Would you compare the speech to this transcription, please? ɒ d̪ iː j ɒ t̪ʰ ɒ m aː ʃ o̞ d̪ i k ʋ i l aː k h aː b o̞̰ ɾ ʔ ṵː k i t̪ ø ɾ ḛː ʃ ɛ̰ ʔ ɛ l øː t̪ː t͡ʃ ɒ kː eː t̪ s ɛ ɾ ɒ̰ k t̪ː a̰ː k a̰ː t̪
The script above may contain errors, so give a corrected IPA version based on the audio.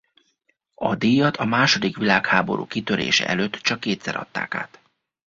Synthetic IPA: ɒ d̪ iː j ɒ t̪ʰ ɒ m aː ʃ o̞ d̪ i k ʋ i l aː k h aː b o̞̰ ɾ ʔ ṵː k i t̪ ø ɾ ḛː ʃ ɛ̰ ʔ ɛ l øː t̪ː t͡ʃ ɒ kː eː t̪ s ɛ ɾ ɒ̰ t̪ː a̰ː k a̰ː t̪

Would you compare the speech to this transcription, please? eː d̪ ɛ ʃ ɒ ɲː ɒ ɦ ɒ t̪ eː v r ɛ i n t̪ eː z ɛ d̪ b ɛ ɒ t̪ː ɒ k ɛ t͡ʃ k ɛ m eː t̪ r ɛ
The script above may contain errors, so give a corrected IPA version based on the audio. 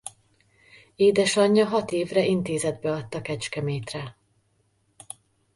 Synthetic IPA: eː d̪ ɛ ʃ ɒ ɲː ɒ ɦ ɒ t̪ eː v r ɛ i n t̪ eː z ɛ d̪ b ɛ ɒ t̪ː ɒ k ɛ t͡ʃ k ɛ m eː t̪ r ɛ

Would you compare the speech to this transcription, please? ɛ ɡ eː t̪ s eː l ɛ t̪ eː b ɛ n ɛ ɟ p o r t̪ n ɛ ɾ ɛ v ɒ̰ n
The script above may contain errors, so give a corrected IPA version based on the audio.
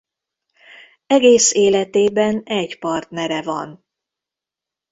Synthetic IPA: ɛ ɡ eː s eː l ɛ t̪ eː b ɛ n ɛ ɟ p ɒ r t̪ n ɛ ɾ ɛ v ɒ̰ n

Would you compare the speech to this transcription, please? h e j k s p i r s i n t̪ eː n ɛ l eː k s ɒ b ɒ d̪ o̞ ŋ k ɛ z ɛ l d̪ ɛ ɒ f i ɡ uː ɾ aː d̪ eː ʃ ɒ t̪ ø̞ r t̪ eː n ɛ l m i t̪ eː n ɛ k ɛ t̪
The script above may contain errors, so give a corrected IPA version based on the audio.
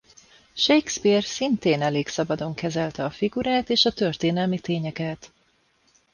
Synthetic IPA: ʃ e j k s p i r s i n t̪ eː n ɛ l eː k s ɒ b ɒ d̪ o̞ ŋ k ɛ z ɛ l t̪ ɛ ɒ f i ɡ u ɾ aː t̪ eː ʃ ɒ t̪ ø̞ r t̪ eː n ɛ l m i t̪ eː ɲ ɛ k ɛ t̪

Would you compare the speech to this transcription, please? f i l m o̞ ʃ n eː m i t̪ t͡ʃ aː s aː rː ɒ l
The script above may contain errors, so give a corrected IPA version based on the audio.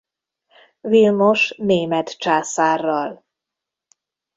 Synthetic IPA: v i l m o̞ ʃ n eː m ɛ t̪ t͡ʃ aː s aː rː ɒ l

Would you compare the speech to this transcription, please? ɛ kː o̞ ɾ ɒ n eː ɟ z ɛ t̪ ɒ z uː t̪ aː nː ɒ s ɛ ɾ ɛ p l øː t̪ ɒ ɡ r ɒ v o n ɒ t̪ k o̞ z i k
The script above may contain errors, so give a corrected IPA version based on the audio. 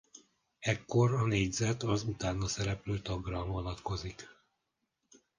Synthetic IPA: ɛ kː o̞ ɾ ɒ n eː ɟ z ɛ t̪ ɒ z u t̪ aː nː ɒ s ɛ ɾ ɛ p l øː t̪ ɒ ɡ r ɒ v o n ɒ t̪ k o̞ z i k

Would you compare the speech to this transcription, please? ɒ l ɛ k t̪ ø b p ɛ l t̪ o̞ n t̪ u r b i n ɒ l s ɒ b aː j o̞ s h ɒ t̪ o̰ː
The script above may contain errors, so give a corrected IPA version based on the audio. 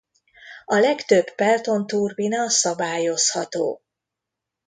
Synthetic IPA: ɒ l ɛ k t̪ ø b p ɛ l t̪ o̞ n t̪ u r b i n ɒ s ɒ b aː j o̞ s h ɒ t̪ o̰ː

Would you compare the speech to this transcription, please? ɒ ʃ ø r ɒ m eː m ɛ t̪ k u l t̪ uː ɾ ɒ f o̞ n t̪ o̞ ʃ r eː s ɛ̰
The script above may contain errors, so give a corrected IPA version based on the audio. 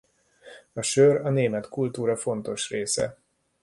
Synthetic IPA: ɒ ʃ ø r ɒ n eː m ɛ t̪ k u l t̪ uː ɾ ɒ f o̞ n t̪ o̞ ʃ r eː s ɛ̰

